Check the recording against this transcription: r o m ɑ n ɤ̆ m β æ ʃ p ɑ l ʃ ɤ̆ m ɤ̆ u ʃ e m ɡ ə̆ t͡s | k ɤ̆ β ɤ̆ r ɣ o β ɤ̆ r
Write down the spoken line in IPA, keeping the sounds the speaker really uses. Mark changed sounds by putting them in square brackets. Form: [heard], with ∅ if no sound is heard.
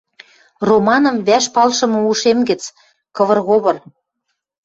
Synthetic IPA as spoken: r o m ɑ n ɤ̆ m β æ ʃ p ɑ l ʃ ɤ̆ m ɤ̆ u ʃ e m ɡ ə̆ t͡s | k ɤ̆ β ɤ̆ r ɣ o β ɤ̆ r